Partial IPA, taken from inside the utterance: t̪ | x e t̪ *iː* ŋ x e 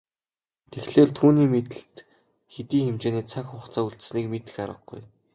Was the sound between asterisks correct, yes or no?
yes